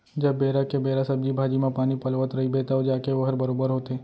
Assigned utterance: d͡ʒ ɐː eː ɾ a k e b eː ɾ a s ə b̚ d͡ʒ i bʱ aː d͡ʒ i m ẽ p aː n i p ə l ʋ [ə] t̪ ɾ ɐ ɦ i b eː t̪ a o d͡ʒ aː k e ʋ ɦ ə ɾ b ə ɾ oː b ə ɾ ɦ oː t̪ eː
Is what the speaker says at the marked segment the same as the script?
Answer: yes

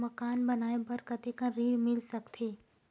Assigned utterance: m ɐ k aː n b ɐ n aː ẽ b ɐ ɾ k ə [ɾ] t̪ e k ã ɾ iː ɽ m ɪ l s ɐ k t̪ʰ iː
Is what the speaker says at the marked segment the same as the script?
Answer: no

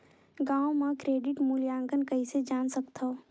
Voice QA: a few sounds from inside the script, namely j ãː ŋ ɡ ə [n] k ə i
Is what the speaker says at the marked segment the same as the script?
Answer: yes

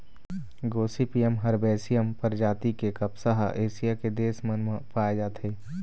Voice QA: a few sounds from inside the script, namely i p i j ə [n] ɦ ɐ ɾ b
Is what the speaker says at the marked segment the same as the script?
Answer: no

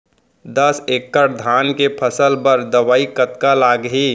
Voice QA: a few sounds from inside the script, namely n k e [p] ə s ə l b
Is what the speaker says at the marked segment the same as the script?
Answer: no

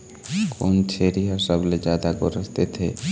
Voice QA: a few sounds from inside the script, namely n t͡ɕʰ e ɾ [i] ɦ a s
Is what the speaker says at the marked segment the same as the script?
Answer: yes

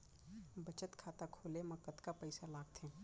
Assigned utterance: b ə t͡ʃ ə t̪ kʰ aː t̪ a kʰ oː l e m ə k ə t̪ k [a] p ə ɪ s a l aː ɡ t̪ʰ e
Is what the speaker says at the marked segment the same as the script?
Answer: yes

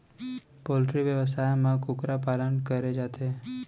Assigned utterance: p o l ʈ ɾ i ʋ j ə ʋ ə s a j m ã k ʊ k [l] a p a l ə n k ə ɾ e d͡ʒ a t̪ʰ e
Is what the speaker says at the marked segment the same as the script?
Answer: no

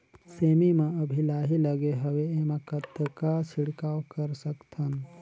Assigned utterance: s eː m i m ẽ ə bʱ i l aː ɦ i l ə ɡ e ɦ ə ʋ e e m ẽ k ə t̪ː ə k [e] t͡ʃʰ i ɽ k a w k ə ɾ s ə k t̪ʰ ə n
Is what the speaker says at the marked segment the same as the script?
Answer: no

